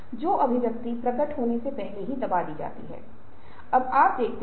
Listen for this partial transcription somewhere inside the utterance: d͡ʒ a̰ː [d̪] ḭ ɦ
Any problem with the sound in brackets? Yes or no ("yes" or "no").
yes